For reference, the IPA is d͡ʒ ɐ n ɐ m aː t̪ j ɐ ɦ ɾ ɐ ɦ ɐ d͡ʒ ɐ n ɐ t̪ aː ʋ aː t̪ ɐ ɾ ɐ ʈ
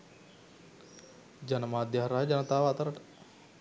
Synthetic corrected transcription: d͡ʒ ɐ n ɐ m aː d̪ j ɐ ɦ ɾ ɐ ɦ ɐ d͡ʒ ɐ n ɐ t̪ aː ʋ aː t̪ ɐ ɾ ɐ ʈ